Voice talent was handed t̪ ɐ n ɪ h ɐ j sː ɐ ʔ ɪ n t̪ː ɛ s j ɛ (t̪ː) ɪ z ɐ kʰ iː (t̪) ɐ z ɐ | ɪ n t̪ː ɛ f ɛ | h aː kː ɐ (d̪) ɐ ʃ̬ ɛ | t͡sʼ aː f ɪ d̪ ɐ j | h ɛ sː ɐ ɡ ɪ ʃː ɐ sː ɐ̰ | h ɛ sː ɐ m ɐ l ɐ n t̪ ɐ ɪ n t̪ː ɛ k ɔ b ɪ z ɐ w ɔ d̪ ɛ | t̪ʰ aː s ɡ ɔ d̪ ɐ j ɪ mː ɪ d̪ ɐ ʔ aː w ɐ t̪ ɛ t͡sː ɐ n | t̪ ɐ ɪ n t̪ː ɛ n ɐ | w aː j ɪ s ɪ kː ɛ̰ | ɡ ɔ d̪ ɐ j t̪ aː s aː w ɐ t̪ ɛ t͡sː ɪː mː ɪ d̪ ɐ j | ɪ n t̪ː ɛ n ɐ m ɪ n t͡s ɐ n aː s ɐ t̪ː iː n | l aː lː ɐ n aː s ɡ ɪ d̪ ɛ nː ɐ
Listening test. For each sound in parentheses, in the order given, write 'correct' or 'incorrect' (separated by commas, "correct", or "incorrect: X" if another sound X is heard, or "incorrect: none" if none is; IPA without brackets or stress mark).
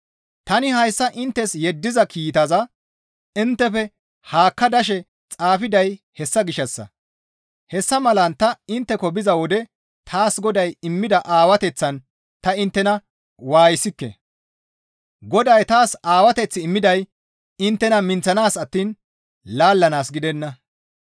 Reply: incorrect: d̪ː, correct, correct